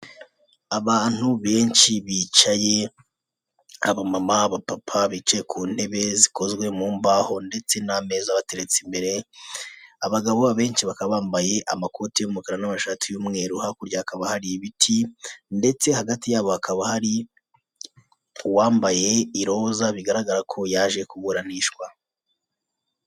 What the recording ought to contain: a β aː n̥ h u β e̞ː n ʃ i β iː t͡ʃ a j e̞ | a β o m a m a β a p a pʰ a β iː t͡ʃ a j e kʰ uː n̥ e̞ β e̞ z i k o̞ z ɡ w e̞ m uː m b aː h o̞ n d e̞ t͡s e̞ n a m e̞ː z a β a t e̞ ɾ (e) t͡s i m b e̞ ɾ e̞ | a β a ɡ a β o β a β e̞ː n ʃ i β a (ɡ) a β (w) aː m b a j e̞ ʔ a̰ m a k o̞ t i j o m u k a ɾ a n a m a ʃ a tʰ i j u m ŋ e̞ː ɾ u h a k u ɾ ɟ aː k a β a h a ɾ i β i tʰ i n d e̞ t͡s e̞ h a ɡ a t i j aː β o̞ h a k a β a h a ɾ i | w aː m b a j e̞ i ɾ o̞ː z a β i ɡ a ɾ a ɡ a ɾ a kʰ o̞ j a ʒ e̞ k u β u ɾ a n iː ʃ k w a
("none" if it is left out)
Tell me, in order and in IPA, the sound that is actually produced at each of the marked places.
e, k, β

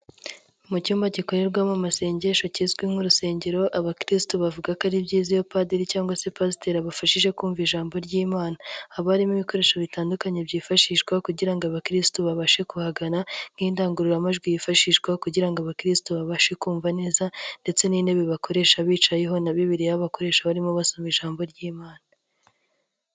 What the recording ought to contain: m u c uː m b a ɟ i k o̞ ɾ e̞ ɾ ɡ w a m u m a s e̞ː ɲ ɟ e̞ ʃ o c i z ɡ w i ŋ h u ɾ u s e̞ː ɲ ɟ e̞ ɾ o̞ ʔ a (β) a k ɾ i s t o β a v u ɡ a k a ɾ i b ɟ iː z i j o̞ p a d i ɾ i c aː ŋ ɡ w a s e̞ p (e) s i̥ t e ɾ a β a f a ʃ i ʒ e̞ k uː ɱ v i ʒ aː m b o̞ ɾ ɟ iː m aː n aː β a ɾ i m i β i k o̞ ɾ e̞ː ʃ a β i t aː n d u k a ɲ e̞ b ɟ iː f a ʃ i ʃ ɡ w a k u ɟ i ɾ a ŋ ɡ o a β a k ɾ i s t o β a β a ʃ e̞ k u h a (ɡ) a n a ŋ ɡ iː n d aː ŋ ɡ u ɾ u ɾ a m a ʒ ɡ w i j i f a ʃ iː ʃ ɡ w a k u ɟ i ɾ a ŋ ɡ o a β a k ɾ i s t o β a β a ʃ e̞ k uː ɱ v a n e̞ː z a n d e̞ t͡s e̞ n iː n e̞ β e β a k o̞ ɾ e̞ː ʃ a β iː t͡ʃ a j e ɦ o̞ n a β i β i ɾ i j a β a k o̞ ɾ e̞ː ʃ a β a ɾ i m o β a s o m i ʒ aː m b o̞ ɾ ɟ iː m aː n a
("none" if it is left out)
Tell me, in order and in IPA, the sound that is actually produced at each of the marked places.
β, a, ɡ

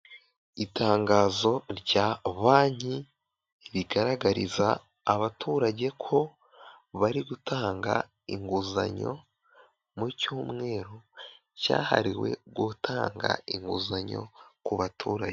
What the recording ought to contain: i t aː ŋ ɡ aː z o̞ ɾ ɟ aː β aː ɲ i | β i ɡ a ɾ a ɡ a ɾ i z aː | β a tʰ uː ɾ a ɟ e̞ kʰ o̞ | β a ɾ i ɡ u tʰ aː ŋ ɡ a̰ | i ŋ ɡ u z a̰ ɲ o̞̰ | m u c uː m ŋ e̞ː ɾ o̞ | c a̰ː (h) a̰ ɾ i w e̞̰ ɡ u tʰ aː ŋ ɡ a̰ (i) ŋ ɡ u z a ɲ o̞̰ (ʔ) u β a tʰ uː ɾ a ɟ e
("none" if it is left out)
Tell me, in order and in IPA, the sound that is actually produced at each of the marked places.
h, i, k

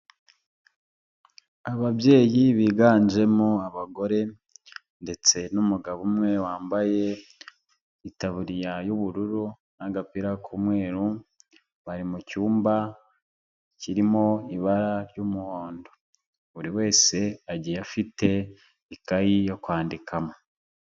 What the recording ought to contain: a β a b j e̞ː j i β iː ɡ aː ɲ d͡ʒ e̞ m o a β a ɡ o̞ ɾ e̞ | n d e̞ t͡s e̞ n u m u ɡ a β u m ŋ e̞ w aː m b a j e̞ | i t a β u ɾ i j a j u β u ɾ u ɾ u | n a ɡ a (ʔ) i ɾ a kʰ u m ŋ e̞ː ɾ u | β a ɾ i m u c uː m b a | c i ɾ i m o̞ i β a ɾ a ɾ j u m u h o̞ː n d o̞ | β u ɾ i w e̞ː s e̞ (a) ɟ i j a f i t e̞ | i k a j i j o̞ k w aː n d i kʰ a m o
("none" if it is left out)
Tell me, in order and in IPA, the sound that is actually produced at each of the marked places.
p, a

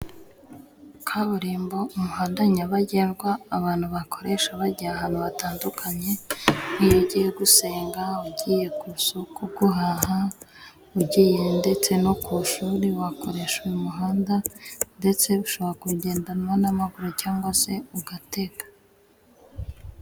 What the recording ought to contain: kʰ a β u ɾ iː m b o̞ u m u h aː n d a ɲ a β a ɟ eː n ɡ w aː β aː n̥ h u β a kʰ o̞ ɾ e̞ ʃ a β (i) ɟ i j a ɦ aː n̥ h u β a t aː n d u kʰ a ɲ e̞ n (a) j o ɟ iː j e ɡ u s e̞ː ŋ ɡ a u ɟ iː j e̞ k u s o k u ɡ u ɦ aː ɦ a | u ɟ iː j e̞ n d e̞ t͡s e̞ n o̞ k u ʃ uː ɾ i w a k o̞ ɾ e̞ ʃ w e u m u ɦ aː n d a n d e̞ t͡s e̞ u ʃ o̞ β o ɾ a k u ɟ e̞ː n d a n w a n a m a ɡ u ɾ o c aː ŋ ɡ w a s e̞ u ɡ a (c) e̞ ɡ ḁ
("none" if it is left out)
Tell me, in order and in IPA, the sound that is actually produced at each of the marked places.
a, i, t

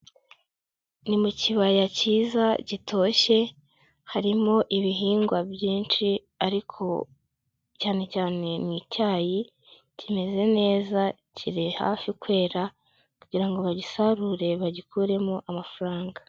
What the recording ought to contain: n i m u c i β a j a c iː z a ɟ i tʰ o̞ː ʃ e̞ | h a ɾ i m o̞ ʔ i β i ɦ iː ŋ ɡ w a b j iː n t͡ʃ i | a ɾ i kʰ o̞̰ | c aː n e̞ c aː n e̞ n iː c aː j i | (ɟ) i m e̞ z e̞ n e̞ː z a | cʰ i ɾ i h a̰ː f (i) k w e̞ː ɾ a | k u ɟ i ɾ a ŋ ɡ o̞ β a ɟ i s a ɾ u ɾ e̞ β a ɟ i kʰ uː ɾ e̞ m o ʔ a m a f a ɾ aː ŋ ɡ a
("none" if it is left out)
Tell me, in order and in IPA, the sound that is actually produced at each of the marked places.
c, i

